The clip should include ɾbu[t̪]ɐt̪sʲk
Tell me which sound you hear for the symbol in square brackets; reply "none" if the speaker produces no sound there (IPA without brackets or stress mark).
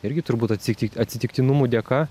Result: t̪